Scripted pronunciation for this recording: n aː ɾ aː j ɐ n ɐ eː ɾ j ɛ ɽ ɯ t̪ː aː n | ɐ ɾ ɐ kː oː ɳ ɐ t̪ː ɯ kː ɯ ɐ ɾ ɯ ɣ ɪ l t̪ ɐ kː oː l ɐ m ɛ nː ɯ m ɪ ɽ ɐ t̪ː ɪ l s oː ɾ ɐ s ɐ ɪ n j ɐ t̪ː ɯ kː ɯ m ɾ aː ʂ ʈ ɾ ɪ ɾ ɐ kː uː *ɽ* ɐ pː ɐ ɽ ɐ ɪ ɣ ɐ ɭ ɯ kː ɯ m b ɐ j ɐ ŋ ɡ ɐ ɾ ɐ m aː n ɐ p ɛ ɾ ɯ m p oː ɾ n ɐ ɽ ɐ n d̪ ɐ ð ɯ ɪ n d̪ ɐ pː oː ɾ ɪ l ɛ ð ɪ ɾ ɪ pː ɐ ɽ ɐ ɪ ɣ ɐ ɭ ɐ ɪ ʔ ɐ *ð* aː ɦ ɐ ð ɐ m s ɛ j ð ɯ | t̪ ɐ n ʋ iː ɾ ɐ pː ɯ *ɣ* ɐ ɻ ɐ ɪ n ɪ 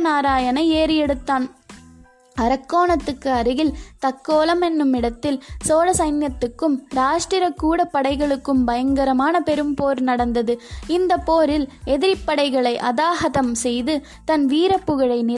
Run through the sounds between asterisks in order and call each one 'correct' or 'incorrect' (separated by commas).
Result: correct, correct, correct